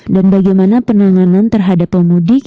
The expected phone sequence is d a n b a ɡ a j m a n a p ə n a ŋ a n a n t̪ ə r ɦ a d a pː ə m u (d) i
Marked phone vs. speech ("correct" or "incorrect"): correct